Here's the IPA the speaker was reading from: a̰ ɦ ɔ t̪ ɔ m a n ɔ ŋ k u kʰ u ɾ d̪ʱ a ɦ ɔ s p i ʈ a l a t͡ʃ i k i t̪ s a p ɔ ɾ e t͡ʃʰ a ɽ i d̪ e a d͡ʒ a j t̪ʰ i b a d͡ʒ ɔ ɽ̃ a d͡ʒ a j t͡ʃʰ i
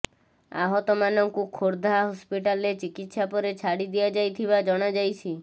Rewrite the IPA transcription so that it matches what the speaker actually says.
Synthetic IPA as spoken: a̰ ɦ ɔ t̪ ɔ m a n ɔ ŋ k u kʰ o ɾ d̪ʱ a ɦ ɔ s p i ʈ a l e t͡ʃ i k i t̪ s a p ɔ ɾ e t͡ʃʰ a ɽ i d̪ i a d͡ʒ a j t̪ʰ i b a d͡ʒ ɔ ɽ̃ a d͡ʒ a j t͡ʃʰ i